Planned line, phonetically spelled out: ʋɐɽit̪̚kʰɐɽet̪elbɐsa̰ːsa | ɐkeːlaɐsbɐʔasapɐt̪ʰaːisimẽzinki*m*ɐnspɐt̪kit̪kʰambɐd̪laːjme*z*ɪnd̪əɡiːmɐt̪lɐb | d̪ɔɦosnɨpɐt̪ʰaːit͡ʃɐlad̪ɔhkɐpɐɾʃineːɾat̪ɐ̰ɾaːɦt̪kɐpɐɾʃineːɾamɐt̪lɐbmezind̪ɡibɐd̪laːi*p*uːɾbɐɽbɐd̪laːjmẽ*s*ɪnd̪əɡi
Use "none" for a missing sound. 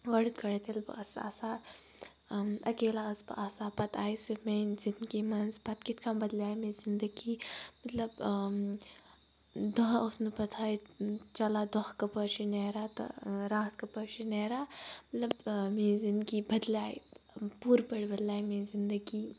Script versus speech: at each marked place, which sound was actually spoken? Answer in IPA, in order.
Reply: m, z, p, z

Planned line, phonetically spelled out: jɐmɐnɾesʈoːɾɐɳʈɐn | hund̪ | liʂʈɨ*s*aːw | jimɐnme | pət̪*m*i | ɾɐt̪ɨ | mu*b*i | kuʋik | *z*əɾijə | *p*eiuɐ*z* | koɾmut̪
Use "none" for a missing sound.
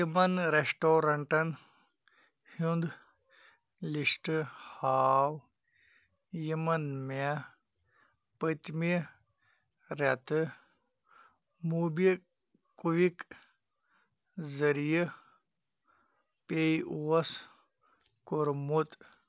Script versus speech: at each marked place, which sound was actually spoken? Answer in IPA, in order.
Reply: h, m, b, z, p, s

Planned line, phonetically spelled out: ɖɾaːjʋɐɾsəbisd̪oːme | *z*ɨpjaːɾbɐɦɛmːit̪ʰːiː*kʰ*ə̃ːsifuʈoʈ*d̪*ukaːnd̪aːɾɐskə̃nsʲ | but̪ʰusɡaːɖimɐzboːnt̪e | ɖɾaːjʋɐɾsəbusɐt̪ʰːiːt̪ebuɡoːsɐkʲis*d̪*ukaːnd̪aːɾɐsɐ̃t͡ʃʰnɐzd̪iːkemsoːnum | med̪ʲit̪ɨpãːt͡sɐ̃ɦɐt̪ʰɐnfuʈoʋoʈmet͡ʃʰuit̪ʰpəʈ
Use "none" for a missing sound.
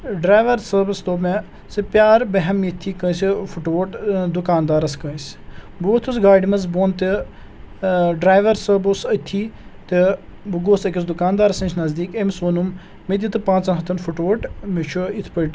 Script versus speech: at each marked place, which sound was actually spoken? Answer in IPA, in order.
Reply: s, k, d̪, d̪

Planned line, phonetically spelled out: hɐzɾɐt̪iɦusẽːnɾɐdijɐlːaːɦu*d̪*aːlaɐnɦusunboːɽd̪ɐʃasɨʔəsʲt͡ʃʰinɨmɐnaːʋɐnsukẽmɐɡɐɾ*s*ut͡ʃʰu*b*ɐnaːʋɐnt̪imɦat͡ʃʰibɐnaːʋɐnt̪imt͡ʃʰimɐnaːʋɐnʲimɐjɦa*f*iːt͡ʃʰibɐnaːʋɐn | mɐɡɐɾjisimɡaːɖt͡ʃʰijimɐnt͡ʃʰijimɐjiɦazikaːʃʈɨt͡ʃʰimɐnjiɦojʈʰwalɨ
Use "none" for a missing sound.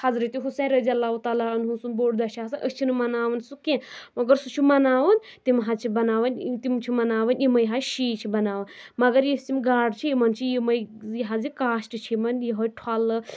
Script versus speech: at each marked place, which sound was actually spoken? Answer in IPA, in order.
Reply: t̪, s, m, ʃ

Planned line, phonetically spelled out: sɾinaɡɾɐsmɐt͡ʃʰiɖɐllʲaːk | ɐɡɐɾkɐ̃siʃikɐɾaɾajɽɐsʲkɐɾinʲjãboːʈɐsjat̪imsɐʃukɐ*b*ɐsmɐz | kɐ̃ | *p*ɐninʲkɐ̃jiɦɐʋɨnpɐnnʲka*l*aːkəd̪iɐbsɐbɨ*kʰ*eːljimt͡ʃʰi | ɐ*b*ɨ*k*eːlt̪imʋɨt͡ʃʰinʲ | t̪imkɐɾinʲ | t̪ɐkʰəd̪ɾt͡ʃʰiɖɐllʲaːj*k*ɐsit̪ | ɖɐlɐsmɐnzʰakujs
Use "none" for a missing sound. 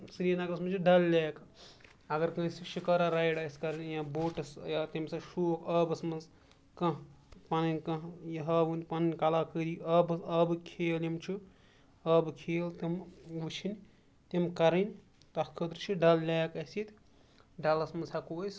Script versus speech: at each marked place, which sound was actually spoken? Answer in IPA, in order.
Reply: b, p, l, kʰ, b, kʰ, k

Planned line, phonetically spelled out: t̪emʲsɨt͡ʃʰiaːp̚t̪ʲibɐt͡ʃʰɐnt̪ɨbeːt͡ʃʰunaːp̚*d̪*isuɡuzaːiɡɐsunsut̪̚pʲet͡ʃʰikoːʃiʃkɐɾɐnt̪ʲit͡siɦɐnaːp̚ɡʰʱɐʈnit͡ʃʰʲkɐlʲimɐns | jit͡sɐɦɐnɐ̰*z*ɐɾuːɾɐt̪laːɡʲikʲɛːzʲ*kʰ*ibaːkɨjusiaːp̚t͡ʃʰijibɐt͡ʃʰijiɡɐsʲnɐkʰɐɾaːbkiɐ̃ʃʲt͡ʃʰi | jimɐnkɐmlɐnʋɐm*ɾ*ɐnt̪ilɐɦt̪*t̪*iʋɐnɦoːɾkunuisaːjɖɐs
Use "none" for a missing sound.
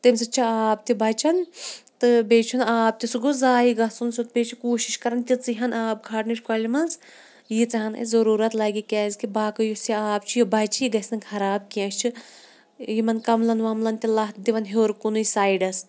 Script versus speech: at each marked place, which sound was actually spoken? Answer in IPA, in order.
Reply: t̪, z, k, l, d̪

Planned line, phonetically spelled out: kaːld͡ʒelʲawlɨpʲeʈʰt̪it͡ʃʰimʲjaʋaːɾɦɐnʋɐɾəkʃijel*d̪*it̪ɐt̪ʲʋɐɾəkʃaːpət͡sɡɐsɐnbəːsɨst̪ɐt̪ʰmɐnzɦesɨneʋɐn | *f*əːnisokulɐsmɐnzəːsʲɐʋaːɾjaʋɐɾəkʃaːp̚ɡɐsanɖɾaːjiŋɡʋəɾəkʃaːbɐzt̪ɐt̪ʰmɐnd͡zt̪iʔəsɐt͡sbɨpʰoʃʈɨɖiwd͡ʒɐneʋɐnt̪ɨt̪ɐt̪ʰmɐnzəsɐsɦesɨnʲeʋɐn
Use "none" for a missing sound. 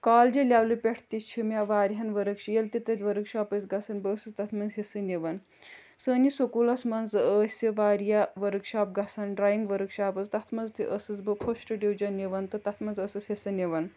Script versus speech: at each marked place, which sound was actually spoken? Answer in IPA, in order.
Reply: t̪, s

